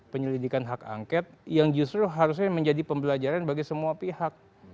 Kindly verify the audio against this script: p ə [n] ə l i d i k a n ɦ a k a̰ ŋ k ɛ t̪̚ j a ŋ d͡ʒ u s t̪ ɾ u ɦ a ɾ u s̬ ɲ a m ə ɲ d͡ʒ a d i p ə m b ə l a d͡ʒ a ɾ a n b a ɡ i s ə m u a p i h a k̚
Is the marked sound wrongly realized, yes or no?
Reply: yes